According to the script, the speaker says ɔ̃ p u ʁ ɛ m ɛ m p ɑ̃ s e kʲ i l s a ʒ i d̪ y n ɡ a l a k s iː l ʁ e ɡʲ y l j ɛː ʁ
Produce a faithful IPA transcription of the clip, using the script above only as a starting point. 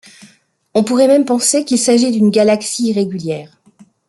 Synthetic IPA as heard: ɔ̃ p u ʁ ɛ m ɛ m p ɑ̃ s e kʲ i l s a ʒ i d̪ y n ɡ a l a k s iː ʁ e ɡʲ y l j ɛː ʁ